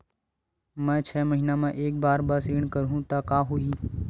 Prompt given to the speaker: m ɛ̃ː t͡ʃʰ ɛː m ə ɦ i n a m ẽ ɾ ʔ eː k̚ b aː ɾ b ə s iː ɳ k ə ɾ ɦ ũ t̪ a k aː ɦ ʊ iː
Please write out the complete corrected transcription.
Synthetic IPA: m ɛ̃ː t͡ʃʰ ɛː m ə ɦ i n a m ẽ ʔ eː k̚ b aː ɾ b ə s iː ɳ k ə ɾ ɦ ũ t̪ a k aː ɦ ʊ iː